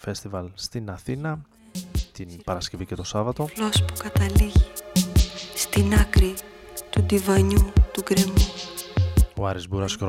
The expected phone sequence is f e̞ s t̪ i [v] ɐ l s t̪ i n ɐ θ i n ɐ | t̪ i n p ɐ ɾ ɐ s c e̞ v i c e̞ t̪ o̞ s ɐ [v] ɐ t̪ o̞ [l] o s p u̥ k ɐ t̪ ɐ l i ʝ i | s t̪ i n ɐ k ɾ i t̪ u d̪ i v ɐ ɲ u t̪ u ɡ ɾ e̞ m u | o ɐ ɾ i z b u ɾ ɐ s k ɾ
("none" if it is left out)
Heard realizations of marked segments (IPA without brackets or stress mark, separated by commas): v, v, l